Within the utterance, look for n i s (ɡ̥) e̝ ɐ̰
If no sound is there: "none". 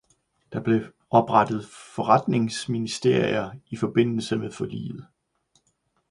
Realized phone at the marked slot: d̥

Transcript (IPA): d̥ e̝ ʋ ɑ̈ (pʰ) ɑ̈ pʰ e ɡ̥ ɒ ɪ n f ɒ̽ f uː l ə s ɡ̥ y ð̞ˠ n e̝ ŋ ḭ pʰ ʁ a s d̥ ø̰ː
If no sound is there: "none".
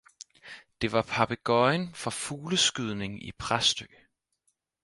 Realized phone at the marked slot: pʰ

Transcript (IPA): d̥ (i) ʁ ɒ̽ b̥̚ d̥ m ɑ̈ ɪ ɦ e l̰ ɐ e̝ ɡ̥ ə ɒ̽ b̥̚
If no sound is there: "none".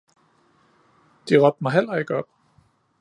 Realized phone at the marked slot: i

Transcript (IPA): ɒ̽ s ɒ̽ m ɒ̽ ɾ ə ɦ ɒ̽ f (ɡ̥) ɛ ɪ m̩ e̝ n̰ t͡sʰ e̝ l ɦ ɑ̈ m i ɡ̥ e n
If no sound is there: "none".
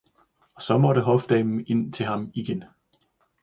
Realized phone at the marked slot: d̥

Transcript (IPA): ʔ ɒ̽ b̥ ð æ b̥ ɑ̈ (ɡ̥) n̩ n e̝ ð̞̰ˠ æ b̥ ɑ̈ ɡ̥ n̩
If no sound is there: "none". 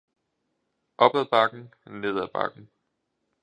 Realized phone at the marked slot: ɡ̥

